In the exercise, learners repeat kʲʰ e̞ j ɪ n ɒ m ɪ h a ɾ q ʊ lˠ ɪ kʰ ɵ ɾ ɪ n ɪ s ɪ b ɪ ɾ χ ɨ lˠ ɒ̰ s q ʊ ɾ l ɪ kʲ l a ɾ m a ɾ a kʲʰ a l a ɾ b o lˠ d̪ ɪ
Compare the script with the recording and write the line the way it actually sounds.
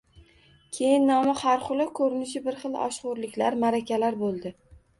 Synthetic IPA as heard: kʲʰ e̞ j ɪ nː ɒ m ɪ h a ɾ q ʊ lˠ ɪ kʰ ɵ ɾ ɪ n ɪ ʃ ɪ b ɪ ɾ χ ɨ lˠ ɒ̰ ʃ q ʊ ɾ l ɪ kʲ l a ɾ m a ɾ a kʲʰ a l a ɾ b o lˠ d̪ ɪ